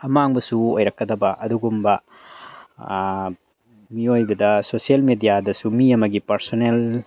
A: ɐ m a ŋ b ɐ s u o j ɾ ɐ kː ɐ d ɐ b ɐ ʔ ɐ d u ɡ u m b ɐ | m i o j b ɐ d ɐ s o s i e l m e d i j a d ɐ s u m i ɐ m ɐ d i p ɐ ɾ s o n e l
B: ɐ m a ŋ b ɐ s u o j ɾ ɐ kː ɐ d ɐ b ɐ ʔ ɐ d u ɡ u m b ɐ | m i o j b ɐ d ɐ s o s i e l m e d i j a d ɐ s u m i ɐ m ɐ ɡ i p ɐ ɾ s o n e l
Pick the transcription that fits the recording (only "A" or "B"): B